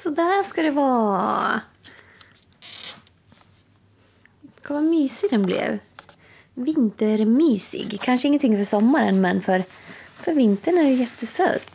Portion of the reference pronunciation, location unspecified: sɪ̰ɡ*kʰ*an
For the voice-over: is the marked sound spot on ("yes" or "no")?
yes